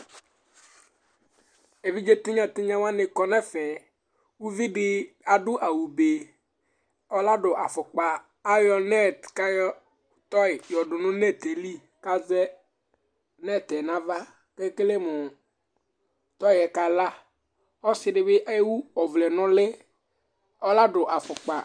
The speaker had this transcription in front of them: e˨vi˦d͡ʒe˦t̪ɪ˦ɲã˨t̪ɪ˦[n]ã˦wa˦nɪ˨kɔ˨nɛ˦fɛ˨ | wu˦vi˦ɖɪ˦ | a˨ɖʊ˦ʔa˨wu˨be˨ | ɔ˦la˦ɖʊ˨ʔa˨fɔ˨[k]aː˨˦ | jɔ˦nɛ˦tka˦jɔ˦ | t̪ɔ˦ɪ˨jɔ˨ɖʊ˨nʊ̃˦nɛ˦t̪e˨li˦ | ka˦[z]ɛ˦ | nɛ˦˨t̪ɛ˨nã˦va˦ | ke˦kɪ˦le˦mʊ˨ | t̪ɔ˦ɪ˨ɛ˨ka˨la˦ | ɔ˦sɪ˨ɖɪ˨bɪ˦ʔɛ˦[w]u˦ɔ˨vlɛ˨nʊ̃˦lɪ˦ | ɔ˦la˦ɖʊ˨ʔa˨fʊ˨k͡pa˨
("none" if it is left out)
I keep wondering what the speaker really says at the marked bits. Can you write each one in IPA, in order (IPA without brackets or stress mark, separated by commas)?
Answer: ɲ, k͡p, z, w